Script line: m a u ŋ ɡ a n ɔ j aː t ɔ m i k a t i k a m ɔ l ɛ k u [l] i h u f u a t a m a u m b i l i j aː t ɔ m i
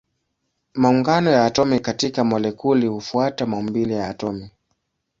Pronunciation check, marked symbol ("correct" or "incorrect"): correct